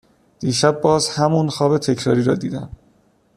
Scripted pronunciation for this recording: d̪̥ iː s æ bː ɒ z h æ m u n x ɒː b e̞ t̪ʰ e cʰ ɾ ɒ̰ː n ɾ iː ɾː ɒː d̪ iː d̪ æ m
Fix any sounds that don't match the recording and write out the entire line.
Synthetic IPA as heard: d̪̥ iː ʃ æ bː ɒː z h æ m u n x ɒː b e̞ t̪ʰ e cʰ ɾ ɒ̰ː ɾ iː ɾ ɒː d̪ iː d̪ æ m